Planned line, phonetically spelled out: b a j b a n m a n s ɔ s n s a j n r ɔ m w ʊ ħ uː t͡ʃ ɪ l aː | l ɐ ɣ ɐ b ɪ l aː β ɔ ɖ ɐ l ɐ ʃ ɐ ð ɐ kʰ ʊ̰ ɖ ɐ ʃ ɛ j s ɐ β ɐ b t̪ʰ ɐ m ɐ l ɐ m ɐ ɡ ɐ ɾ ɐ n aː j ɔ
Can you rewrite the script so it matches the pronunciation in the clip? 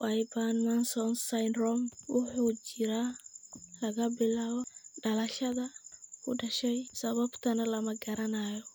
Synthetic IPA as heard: w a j b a n m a n s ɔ n s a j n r ɔ m w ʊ ħ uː t͡ʃ ɪ ɾ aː | l ɐ ɣ ɐ b ɪ l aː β ɔ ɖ ɐ l ɐ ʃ ɐ ð ɐ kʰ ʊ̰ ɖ ɐ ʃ ɛ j s ɐ β ɐ b t̪ʰ ɐ n ɐ l ɐ m ɐ ɡ ɐ ɾ ɐ n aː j ɔ